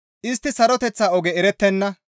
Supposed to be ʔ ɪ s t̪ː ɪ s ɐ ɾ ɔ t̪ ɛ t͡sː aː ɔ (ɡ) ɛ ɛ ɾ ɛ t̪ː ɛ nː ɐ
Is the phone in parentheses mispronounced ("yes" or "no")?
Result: no